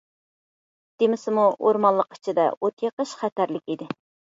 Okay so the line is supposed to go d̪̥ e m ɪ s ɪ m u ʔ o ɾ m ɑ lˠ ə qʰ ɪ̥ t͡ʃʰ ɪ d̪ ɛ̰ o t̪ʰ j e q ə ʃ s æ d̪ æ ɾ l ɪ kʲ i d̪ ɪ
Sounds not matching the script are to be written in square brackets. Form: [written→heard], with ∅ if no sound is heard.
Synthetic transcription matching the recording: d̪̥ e m ɪ s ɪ m u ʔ o ɾ m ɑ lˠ ə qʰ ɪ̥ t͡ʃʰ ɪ d̪ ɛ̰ o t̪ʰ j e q ə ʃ [s→χ] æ [d̪→t̪] æ ɾ l ɪ kʲ i d̪ ɪ